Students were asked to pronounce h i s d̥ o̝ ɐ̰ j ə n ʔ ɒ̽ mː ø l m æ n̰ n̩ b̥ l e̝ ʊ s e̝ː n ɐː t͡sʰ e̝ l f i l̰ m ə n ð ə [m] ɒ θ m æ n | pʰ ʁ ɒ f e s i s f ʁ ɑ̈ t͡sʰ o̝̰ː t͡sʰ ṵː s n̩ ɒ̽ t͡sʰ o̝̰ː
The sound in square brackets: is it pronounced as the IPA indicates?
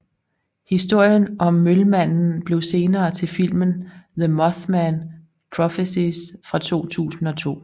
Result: yes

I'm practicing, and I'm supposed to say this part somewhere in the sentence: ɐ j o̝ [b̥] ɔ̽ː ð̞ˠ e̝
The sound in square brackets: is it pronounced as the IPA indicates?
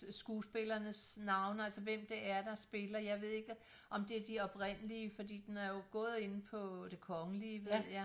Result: no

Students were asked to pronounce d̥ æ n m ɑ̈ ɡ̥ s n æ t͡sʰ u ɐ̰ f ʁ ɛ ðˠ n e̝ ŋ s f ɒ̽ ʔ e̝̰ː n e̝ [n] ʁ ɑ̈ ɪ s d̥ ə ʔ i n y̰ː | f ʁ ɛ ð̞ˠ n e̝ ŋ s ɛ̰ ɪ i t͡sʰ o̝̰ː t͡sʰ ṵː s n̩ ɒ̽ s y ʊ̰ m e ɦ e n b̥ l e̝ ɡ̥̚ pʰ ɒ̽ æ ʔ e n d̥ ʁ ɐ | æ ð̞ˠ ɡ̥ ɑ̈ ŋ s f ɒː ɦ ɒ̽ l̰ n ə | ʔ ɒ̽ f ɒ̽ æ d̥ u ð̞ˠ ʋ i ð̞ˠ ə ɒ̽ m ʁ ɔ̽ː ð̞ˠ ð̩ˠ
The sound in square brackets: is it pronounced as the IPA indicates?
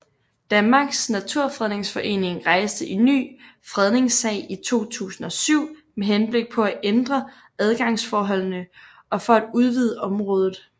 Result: no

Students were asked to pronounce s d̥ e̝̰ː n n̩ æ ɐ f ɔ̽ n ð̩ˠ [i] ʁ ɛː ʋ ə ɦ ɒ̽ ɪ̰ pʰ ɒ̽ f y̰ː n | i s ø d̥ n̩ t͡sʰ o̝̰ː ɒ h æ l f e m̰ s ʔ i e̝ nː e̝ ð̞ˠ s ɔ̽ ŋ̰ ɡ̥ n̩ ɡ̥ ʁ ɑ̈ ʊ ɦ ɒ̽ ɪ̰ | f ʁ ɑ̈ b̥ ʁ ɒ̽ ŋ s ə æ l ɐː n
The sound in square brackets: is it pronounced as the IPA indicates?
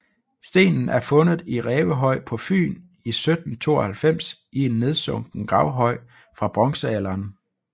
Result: yes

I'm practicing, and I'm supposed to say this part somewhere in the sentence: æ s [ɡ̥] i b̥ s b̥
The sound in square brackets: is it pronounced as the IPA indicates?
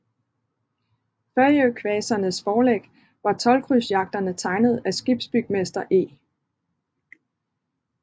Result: yes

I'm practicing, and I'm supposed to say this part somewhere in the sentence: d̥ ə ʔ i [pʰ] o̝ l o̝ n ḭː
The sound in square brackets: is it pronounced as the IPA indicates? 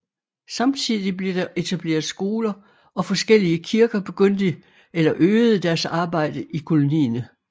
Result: no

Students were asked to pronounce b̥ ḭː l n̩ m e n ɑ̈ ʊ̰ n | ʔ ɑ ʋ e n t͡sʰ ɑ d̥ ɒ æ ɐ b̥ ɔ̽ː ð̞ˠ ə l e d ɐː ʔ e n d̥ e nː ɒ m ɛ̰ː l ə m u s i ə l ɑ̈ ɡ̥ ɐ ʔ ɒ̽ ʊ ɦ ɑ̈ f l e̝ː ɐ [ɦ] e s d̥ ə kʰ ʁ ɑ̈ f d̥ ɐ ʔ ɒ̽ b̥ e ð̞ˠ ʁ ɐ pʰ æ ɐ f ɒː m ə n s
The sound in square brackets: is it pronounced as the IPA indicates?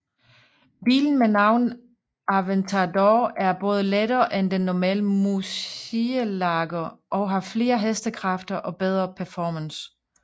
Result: yes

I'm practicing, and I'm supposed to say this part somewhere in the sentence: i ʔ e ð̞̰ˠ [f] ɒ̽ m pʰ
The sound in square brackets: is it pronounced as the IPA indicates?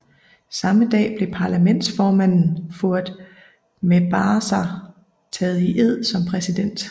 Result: no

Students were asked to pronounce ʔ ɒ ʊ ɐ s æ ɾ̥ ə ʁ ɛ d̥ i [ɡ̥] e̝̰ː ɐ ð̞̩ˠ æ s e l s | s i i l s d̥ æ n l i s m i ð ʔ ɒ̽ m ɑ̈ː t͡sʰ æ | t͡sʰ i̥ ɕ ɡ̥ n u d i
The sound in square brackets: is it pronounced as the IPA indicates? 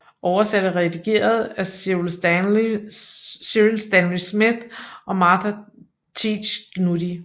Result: yes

